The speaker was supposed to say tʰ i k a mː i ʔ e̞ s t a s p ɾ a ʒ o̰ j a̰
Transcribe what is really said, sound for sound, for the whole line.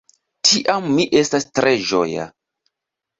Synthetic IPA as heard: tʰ i ʔ a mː i ʔ e̞ s t a s t ɾ e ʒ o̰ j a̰